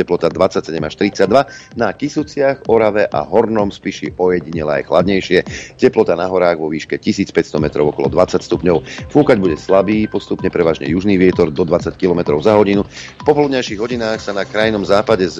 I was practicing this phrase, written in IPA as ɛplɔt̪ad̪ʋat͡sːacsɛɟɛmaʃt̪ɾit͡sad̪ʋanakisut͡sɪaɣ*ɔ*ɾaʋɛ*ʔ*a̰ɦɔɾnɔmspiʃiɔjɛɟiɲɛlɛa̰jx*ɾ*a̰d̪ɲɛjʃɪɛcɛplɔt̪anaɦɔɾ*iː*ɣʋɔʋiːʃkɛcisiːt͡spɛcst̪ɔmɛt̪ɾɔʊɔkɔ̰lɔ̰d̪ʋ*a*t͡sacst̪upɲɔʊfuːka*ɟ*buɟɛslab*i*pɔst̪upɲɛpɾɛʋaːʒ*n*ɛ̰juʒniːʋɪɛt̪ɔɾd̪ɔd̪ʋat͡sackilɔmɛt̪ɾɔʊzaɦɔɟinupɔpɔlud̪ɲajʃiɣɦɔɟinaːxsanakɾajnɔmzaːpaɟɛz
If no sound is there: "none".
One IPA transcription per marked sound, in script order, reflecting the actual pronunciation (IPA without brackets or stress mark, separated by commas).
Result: ɔ, ʔ, l, aː, a, ɟ, iː, ɲ